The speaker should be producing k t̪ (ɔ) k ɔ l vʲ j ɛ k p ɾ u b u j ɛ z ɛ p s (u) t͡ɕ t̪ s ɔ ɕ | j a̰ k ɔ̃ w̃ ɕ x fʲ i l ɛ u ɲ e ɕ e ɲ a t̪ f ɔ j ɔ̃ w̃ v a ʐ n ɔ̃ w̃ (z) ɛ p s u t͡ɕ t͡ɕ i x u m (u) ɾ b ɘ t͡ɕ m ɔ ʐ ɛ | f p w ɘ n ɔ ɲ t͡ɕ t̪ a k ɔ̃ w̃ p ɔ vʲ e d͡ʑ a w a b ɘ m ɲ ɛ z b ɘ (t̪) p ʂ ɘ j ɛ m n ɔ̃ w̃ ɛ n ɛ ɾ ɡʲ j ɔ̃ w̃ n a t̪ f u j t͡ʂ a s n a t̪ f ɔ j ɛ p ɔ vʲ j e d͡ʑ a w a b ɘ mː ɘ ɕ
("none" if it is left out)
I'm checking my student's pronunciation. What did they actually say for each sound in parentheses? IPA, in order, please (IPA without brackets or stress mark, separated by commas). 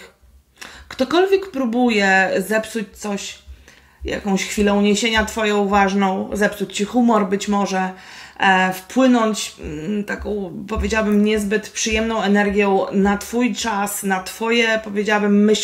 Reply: ɔ, u, z, ɔ, t̪